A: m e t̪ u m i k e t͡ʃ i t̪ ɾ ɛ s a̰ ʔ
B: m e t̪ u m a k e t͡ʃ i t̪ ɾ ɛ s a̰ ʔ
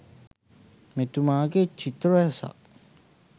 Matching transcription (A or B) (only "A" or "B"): B